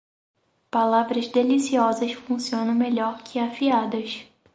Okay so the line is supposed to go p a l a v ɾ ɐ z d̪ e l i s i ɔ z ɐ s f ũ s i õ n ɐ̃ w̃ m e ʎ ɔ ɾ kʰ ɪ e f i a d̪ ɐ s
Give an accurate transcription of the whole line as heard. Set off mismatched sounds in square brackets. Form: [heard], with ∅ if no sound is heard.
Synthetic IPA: p a l a v ɾ ɐ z d̪ e l i s i ɔ z ɐ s f ũ s i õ n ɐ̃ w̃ m e ʎ ɔ ɾ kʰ ɪ [a] f i a d̪ ɐ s